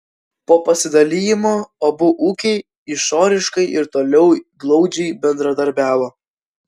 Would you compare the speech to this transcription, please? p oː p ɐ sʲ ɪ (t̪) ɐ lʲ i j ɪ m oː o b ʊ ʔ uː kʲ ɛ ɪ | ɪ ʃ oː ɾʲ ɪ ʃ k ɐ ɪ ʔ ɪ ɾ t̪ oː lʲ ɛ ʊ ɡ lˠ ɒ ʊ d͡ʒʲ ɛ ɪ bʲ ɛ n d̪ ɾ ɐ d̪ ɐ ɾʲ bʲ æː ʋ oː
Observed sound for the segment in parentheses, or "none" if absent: d̪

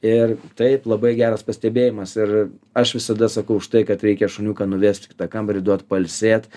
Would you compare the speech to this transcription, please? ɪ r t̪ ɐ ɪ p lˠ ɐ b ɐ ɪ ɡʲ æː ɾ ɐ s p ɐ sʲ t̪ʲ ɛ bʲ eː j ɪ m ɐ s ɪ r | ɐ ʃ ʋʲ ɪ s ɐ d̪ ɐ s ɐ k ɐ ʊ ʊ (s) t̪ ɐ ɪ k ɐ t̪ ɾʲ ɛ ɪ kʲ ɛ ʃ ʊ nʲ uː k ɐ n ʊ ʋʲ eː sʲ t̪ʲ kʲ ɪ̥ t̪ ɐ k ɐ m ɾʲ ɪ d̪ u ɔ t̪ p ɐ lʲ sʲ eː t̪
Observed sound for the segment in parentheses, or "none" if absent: ʃ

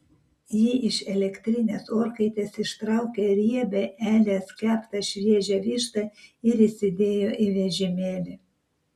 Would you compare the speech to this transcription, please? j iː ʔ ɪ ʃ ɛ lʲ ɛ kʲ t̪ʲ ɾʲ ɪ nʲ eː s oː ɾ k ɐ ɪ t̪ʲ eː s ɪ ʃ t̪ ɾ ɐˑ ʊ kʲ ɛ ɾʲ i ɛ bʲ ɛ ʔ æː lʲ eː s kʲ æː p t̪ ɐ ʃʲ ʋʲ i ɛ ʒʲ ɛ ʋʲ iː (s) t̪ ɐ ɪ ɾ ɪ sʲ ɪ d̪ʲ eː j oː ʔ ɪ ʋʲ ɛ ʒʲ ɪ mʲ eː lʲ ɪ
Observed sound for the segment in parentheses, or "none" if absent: ʃ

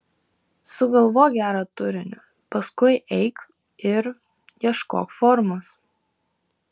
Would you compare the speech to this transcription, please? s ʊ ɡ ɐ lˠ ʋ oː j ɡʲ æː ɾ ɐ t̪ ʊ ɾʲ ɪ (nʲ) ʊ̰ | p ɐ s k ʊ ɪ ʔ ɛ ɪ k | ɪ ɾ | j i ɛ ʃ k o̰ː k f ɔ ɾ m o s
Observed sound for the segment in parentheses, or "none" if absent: nʲ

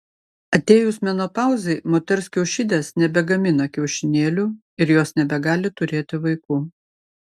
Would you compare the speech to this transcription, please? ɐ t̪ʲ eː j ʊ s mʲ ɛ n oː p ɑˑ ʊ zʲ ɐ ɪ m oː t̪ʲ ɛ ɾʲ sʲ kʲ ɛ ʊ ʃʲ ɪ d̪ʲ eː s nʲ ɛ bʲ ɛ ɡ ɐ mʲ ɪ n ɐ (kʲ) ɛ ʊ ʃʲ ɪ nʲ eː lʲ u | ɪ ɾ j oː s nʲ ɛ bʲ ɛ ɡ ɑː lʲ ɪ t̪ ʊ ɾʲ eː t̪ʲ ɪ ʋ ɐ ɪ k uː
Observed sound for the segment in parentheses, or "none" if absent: kʲ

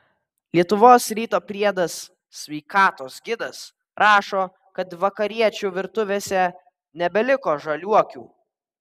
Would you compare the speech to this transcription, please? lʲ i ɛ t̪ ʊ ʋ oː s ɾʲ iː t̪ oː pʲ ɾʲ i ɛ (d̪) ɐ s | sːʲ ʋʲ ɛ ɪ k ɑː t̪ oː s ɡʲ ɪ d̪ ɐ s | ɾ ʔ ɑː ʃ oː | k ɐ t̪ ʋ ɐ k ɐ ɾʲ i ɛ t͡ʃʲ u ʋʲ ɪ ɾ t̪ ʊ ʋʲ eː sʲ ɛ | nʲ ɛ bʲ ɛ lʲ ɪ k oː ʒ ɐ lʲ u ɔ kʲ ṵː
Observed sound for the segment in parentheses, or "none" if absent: d̪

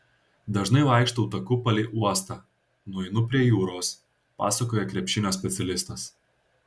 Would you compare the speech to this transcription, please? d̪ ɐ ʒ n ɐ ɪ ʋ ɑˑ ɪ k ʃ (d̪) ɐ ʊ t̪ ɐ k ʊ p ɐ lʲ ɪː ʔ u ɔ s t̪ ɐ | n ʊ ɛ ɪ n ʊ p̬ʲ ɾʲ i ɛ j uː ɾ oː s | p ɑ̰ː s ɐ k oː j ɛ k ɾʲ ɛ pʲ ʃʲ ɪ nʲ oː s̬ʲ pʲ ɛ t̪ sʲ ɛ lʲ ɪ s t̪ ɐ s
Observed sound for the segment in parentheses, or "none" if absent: t̪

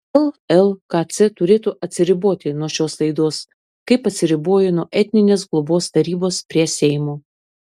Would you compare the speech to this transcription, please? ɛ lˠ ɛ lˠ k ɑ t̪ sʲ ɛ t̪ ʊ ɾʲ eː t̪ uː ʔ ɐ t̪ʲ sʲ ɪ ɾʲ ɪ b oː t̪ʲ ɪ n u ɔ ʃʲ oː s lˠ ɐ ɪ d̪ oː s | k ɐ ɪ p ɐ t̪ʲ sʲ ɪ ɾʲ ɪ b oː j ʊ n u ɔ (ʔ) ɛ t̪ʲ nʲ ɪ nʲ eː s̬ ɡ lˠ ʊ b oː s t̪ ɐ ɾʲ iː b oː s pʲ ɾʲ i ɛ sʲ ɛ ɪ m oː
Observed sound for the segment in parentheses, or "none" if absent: ʔ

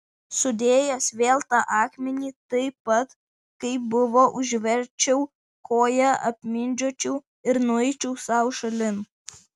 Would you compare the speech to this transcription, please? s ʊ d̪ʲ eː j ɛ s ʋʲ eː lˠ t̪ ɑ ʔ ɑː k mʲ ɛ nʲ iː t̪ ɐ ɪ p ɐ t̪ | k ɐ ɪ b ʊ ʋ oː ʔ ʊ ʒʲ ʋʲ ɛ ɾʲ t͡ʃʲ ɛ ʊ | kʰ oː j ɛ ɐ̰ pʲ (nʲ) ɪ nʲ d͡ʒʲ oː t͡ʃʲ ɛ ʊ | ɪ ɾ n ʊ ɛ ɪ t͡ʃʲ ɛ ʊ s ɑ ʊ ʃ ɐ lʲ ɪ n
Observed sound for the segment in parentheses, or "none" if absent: mʲ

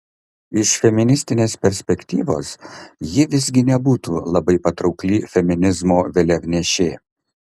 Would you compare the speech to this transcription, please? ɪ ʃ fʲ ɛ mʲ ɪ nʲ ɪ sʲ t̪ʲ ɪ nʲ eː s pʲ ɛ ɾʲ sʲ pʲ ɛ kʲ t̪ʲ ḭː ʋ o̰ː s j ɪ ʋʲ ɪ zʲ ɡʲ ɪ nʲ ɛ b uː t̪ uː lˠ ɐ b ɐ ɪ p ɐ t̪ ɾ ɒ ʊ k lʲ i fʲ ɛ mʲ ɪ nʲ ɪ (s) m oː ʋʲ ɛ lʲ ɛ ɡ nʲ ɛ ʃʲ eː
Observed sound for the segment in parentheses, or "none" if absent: z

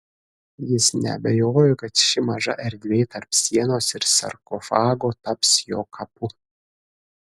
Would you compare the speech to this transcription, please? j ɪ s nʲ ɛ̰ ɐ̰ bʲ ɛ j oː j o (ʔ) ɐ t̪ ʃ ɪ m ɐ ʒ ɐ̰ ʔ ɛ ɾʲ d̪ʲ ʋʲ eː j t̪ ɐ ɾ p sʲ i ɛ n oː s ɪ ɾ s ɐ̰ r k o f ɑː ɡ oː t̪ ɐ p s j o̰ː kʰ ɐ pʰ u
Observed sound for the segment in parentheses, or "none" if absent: k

